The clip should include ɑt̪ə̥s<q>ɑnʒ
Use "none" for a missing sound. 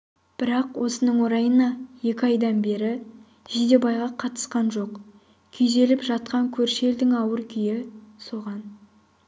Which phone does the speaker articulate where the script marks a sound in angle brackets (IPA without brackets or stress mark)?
q